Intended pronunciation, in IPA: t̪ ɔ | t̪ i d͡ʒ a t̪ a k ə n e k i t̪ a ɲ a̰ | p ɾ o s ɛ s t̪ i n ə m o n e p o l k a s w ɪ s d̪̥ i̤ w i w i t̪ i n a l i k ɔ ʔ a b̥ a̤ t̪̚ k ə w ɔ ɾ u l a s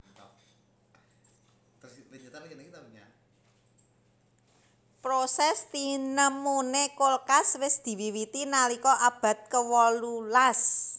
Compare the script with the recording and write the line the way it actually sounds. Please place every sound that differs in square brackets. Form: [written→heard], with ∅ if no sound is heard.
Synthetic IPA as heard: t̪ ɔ | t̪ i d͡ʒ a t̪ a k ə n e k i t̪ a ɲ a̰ | p ɾ o s ɛ s t̪ i n ə m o n e [p→k] o l k a s w ɪ s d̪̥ i̤ w i w i t̪ i n a l i k ɔ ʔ a b̥ a̤ t̪̚ k ə w ɔ [ɾ→l] u l a s